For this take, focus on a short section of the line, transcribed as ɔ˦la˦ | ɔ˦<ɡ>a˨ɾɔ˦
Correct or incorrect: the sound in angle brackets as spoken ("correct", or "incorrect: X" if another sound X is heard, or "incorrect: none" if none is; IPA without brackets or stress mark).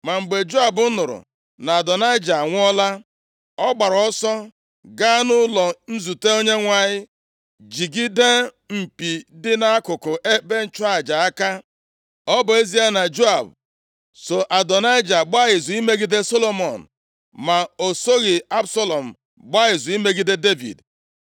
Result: incorrect: ɡ͡b